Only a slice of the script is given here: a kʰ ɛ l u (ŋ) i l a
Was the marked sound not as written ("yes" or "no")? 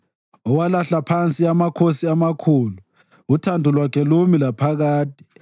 yes